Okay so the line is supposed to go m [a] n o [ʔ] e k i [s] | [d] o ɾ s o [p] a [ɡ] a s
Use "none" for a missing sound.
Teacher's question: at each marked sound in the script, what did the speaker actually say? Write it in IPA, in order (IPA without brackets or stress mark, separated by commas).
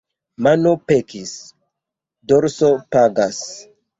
a, p, s, d, p, ɡ